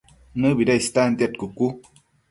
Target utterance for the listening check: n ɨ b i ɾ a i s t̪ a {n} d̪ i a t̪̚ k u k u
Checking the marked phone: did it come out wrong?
no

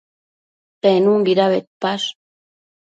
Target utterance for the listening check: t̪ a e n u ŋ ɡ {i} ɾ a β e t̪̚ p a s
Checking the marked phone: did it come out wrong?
no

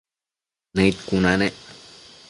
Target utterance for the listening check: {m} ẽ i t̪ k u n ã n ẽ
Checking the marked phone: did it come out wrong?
yes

